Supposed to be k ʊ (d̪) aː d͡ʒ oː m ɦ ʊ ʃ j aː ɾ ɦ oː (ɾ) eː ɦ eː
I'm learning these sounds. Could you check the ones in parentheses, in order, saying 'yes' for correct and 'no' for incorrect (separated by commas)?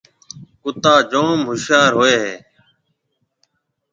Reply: no, no